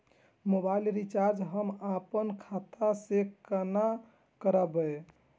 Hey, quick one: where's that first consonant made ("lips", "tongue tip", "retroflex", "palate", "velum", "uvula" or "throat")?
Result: lips